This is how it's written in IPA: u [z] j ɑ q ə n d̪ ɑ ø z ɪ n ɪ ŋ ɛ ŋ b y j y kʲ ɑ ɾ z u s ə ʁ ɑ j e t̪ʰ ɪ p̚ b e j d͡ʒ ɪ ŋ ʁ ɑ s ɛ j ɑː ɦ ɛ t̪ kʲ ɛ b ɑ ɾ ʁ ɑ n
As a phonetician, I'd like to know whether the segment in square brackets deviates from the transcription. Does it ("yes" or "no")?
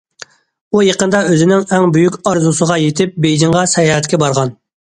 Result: yes